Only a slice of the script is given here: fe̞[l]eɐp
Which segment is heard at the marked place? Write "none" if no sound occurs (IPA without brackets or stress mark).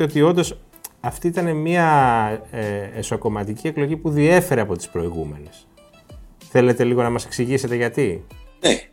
ɾ